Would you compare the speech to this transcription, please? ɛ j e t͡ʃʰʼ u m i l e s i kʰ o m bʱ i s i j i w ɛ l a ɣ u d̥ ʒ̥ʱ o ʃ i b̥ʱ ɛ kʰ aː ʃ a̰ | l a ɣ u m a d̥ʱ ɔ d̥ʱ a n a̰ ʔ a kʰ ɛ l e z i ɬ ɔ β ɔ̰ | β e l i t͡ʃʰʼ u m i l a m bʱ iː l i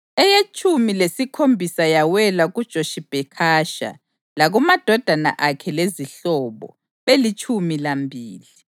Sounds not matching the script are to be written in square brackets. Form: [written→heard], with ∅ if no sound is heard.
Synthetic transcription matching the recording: ɛ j e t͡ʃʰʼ u m i l e s i kʰ o m bʱ i s [i→a] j [i→a] w ɛ l a ɣ u d̥ ʒ̥ʱ o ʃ i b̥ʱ ɛ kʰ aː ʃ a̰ | l a ɣ u m a d̥ʱ ɔ d̥ʱ a n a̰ ʔ a kʰ ɛ l e z i ɬ ɔ β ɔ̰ | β e l i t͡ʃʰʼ u m i l a m bʱ iː l i